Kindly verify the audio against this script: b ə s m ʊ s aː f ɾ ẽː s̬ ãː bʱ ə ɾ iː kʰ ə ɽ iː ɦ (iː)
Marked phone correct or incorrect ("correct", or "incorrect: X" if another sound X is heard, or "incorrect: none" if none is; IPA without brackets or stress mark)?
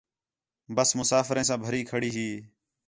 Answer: correct